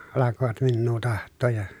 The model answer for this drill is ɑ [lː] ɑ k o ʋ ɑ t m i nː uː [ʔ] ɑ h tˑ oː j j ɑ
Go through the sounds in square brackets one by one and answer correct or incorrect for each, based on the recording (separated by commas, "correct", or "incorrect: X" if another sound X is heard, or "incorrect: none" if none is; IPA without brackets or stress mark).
incorrect: l, incorrect: t